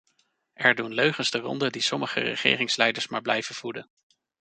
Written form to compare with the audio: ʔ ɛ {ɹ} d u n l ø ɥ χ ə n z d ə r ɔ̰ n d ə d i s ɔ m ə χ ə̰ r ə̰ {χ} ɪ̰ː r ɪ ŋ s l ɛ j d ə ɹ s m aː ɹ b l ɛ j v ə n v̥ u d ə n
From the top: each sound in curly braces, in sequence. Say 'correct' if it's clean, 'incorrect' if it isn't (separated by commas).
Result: correct, correct